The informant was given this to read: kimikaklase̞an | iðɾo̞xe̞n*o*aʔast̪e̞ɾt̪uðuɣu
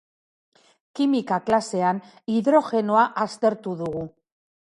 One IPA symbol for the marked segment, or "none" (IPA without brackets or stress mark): o